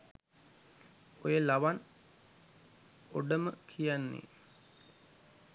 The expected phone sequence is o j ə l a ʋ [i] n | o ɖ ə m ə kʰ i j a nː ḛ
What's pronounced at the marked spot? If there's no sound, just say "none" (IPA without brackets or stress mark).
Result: a